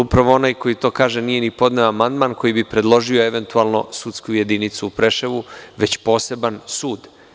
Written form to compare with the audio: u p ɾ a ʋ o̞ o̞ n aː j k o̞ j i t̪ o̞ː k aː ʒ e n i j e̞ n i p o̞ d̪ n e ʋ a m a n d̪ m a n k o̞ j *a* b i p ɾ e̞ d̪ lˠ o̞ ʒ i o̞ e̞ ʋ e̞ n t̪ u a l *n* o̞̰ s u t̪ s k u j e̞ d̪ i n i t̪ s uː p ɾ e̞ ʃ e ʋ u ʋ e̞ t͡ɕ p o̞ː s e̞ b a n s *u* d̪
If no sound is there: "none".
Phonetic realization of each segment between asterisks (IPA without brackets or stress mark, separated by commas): i, n, uː